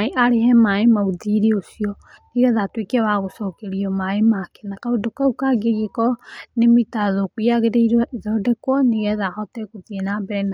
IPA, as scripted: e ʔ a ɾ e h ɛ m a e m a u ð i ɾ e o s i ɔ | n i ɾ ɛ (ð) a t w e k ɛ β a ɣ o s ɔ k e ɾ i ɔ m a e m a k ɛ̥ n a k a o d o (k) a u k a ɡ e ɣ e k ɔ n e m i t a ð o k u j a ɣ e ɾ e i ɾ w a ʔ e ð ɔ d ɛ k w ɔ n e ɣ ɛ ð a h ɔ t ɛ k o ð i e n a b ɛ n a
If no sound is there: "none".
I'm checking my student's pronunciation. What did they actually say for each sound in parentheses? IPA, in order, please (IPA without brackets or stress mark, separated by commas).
ð, k